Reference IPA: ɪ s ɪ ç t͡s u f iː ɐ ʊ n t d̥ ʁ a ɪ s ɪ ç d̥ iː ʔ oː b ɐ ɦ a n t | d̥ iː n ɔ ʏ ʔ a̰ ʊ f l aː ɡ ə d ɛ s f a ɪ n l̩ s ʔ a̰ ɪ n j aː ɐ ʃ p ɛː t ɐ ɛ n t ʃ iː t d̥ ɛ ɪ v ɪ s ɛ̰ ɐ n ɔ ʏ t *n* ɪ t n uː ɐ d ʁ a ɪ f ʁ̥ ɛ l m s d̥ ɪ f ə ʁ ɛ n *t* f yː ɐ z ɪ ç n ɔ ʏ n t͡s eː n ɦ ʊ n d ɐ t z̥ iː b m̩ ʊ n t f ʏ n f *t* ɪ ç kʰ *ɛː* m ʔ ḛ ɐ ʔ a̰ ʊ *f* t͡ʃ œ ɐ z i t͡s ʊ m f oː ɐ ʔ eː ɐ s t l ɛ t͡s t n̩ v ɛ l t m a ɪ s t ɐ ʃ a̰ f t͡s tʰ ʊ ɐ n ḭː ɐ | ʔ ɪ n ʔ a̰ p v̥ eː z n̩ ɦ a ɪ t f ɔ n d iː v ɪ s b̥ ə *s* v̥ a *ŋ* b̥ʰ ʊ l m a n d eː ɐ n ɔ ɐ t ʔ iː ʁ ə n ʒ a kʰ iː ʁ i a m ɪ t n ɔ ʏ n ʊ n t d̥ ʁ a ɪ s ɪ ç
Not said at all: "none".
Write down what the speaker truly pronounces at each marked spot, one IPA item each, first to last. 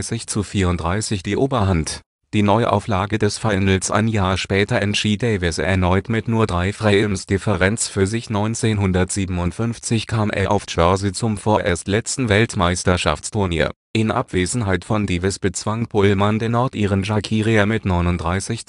m, t͡s, t͡s, aː, f, t͡s, ŋ

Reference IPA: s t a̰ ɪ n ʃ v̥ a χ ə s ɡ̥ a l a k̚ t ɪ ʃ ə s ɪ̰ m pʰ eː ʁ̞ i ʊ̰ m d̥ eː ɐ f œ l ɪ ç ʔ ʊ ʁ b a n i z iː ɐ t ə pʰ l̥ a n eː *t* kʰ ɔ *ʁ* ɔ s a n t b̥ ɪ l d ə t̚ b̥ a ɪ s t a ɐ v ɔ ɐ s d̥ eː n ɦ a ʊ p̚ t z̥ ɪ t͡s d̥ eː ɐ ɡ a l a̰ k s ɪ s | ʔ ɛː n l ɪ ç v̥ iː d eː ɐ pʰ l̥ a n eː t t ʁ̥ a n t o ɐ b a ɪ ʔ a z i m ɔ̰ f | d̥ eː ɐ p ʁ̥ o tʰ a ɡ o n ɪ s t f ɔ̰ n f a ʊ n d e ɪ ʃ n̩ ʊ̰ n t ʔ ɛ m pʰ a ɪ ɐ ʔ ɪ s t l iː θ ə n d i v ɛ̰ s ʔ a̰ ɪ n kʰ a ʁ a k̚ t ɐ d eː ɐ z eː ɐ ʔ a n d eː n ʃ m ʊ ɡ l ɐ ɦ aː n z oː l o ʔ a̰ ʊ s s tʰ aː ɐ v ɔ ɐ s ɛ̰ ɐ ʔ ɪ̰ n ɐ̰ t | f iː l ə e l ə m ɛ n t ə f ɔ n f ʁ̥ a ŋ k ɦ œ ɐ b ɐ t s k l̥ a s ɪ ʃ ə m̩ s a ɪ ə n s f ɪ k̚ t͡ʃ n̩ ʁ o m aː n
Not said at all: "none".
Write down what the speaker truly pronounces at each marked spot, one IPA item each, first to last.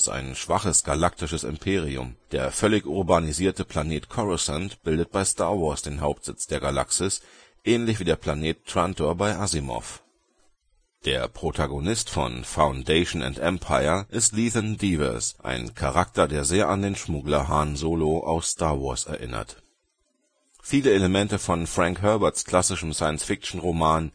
t, ʁ

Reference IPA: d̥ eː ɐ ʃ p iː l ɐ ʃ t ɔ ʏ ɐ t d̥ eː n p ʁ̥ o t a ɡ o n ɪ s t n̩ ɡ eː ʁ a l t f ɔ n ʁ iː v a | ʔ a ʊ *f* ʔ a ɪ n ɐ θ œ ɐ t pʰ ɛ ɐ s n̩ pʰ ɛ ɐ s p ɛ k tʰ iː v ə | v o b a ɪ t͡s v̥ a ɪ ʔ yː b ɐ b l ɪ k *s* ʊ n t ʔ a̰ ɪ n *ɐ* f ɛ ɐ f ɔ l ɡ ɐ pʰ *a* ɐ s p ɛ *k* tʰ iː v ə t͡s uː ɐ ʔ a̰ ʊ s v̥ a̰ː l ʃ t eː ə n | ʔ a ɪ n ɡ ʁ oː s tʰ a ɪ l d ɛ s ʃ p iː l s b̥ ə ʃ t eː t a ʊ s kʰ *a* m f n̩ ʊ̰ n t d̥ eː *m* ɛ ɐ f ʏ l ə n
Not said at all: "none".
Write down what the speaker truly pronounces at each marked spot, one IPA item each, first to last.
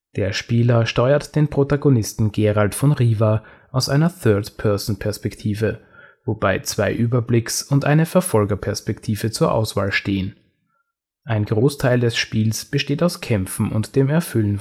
s, s, ə, ɛ, k, ɛ, m

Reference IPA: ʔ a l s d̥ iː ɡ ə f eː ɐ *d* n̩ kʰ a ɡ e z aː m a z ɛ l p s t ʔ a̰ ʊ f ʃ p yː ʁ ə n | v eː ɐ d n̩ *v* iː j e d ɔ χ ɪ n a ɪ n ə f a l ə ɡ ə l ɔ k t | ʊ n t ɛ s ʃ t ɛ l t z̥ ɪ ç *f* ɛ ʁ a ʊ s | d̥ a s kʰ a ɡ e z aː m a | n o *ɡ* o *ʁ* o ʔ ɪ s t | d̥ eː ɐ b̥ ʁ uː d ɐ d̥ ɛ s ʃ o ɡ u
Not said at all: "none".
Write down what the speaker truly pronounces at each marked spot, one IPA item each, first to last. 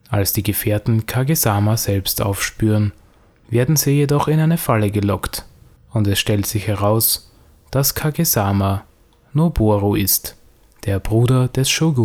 t, z, h, b, ʁ

